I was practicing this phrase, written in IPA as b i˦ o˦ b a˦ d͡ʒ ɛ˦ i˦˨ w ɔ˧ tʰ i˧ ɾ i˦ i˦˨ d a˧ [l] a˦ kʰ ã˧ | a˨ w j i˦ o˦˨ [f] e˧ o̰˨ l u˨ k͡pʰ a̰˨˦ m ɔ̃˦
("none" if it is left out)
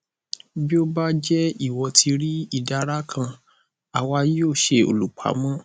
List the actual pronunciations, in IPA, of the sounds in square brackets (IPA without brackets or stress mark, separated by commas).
ɾ, ʃ